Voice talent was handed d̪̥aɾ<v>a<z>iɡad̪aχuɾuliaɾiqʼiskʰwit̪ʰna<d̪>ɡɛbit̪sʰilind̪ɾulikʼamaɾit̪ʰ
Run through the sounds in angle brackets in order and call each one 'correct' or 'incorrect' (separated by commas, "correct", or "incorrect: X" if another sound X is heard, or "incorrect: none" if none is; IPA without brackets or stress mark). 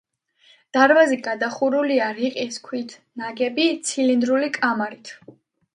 correct, correct, incorrect: none